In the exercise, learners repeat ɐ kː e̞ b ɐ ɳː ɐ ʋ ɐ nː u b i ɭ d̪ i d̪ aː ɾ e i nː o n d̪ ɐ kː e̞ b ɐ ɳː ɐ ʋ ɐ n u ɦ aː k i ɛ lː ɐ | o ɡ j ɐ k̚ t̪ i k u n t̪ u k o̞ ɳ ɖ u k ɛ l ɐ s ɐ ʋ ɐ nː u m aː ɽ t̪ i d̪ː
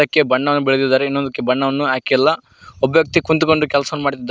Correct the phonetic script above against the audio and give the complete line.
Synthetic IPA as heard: ɐ kː e̞ b ɐ ɳː ɐ ʋ ɐ nː u b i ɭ d̪ i d̪ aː ɾ e i nː o n d̪ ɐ kː e̞ b ɐ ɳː ɐ ʋ ɐ nː u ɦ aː k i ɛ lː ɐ | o b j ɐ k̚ t̪ i k u n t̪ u k o̞ ɳ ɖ u k ɛ l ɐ s ɐ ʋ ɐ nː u m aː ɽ t̪ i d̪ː